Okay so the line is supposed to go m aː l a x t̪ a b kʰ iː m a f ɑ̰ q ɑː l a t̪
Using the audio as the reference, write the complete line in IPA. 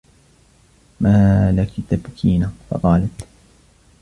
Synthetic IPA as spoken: m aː l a k t̪ a b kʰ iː n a f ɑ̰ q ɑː l a t̪

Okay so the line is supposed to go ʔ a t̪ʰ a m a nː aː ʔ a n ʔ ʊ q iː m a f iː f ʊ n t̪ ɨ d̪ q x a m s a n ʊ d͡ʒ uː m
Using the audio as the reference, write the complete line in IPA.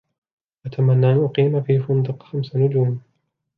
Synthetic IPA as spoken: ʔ a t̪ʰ a m a nː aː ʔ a n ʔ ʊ q iː m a f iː f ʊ n d̪ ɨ q x a m s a n ʊ d͡ʒ uː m

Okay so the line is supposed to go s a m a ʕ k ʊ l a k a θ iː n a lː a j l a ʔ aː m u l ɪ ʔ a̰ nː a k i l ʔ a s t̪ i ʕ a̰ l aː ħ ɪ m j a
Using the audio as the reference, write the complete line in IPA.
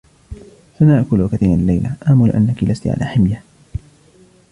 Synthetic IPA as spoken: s a n a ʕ k ʊ l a k a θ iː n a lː a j l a ʔ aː m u l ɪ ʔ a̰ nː a k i l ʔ a s t̪ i ʕ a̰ l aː ħ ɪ m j a

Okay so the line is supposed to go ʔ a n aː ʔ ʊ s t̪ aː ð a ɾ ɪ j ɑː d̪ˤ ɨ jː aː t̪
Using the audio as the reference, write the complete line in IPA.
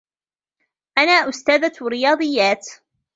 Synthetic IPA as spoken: ʔ a n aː ʔ ʊ s t̪ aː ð a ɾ ɪ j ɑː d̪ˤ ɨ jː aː t̪

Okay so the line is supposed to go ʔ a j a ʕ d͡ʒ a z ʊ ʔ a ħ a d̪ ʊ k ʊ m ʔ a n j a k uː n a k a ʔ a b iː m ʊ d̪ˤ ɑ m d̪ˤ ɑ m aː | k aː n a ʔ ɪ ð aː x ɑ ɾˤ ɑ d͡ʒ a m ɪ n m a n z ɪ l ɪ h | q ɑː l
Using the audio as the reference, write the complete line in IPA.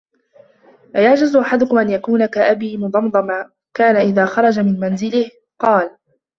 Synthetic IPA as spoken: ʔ a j a ʕ d͡ʒ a z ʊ ʔ a ħ a d̪ ʊ k ʊ m ʔ a n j a k uː n a k a ʔ a b iː m ʊ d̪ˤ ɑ m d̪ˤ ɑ m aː | k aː n a ʔ ɪ ð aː x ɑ ɾˤ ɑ d͡ʒ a m ɪ n m a n z ɪ l ɪ h | q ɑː l

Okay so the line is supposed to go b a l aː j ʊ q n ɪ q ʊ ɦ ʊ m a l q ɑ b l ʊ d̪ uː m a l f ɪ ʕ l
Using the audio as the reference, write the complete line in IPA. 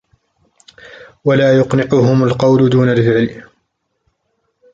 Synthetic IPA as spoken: w a l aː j ʊ q n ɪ q ʊ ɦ ʊ m a l q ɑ w l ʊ d̪ uː n a l f ɪ ʕ l

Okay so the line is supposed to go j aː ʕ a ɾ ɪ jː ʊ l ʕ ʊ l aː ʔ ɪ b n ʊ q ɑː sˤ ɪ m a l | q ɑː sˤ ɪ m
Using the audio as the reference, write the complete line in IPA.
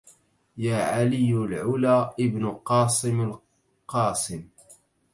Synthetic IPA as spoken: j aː ʕ a l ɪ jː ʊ l ʕ ʊ l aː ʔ ɪ b n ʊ q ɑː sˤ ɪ m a l | q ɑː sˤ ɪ m

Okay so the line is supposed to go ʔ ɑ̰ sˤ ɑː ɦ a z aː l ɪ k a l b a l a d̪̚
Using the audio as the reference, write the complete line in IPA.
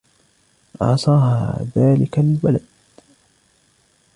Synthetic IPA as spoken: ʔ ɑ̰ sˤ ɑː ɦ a ð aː l ɪ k a l b a l a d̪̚

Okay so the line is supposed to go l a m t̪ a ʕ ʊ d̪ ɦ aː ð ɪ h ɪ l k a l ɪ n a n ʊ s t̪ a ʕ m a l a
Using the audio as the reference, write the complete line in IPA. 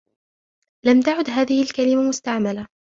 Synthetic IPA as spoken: l a m t̪ a ʕ ʊ d̪ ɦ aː ð ɪ h ɪ l k a l ɪ m a m ʊ s t̪ a ʕ m a l a

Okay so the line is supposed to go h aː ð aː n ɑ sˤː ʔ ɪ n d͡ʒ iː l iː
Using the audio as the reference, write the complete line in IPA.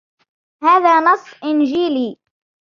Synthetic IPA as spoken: h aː ð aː n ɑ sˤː ʔ ɪ n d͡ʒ iː l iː

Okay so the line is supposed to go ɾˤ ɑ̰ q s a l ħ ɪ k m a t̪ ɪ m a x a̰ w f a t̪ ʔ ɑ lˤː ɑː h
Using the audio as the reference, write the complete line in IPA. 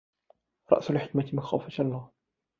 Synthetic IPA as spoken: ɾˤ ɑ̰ ʔ s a l ħ ɪ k m a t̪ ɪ m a x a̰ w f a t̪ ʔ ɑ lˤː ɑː h

